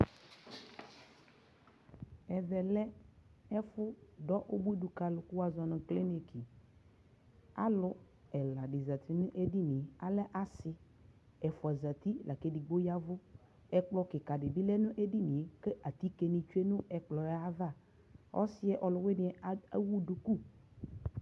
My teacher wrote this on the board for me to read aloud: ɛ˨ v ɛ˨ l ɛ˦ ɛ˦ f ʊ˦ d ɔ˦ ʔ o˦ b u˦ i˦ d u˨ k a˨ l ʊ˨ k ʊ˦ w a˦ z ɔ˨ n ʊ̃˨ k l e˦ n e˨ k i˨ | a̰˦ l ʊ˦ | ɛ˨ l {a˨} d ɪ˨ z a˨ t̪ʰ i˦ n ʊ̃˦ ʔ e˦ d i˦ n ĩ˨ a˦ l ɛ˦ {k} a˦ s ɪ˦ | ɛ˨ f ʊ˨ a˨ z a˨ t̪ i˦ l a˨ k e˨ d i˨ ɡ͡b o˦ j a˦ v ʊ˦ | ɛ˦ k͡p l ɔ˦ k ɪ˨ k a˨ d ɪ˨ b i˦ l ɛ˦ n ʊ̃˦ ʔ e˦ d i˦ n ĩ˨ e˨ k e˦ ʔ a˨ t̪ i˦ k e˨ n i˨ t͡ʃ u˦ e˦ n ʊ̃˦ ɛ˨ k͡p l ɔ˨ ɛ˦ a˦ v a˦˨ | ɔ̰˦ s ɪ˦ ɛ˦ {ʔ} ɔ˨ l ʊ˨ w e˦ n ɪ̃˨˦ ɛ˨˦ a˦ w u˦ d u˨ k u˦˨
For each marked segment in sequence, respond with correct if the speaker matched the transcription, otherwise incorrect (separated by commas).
correct, incorrect, correct